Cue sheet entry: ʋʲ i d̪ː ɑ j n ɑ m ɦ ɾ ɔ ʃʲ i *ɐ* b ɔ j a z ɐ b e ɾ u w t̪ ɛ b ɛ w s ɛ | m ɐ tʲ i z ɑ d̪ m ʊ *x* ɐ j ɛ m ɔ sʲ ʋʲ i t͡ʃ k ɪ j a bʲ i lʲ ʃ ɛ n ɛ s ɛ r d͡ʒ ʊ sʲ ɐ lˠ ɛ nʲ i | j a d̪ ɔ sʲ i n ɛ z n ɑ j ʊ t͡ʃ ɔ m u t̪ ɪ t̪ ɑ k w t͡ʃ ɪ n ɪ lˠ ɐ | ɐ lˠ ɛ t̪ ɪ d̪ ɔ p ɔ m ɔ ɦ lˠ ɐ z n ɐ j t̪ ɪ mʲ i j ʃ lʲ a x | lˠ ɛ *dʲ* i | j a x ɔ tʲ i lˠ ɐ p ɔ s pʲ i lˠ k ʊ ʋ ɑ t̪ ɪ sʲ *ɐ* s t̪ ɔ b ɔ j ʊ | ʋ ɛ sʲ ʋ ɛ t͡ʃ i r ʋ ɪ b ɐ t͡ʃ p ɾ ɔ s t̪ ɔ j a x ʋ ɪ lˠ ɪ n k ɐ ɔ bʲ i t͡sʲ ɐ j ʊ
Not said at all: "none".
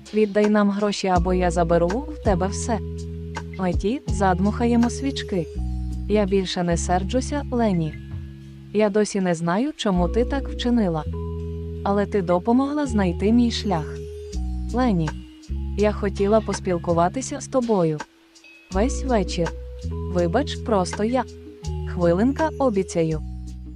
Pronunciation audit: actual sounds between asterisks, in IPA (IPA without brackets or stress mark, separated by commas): ɐ, x, nʲ, ɐ